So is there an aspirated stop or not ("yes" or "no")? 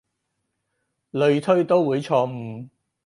yes